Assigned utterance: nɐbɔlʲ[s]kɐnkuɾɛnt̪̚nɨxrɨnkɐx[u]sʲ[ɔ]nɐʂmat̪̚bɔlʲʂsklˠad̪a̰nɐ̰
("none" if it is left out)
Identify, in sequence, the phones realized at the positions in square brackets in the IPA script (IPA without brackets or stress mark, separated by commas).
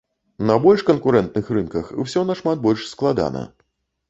ʂ, w, ɔ